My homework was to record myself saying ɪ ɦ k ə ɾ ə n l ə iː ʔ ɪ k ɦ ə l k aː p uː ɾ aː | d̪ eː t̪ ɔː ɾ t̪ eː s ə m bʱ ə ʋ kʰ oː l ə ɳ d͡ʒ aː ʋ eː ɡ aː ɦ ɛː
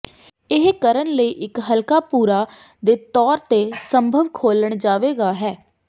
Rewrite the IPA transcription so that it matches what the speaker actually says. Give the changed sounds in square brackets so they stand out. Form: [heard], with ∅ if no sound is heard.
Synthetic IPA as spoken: ɪ ɦ k ə ɾ ə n l ə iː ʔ ɪ k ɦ ə l k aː p uː ɾ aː | d̪ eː t̪ ɔː ɾ t̪ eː s ə m bʱ ə ʋ kʰ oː l ə ɳ d͡ʒ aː ʋ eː ɡ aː ɦ ɛː